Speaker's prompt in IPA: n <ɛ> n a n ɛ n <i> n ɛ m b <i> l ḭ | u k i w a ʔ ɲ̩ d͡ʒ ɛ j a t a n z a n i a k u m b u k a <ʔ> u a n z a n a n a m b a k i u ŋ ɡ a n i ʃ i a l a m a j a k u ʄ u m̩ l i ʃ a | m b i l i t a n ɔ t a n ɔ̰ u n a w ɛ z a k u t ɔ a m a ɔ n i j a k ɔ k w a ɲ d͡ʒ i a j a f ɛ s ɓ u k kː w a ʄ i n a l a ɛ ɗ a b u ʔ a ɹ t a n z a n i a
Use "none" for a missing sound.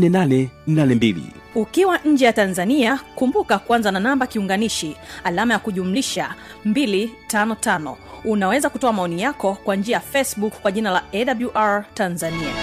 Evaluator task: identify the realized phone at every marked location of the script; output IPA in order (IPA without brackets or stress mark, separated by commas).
ɛ, a, i, k